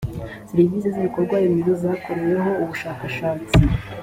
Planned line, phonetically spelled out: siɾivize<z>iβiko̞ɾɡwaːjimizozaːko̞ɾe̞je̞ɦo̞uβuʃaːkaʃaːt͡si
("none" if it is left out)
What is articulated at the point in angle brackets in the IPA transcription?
z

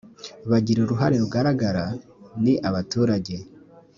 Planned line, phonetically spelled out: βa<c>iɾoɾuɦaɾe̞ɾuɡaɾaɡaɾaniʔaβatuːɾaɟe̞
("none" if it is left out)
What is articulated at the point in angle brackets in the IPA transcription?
ɟ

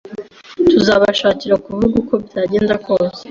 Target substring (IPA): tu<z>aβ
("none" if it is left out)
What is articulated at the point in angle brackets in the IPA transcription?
z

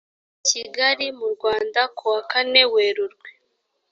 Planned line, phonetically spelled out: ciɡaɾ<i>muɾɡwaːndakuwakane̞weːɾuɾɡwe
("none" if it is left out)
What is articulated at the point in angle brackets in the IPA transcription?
i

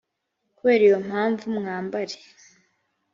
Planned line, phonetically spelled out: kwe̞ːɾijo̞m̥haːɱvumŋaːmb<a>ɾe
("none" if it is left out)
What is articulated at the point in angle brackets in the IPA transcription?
a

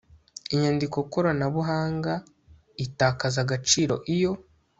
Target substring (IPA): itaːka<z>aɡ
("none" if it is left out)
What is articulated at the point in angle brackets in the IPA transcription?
z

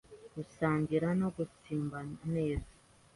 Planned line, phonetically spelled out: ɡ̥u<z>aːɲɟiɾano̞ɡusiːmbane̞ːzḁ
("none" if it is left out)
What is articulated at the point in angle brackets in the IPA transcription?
s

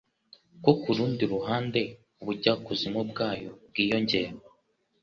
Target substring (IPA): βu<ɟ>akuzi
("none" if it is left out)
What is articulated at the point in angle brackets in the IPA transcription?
ɟ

